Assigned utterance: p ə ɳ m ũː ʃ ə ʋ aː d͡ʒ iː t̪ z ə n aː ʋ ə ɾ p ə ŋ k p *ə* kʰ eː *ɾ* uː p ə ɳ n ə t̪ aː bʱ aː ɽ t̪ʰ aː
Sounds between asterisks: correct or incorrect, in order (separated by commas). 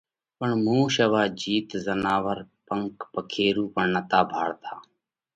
correct, correct